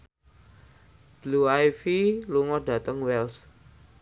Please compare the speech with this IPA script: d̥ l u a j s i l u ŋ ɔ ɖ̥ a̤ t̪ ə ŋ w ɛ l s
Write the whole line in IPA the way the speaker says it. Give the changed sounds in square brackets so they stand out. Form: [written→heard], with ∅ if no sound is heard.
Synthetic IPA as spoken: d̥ l u a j [s→f] i l u ŋ ɔ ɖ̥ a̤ t̪ ə ŋ w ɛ l s